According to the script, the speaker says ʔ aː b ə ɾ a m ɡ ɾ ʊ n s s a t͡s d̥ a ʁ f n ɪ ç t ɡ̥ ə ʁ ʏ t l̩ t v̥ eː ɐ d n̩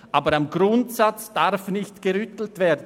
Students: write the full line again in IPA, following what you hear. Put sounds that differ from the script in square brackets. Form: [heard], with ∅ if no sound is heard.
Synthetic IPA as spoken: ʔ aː b ə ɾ a m ɡ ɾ ʊ n [t] s a t͡s d̥ a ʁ f n ɪ ç t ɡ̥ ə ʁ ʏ t l̩ t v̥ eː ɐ d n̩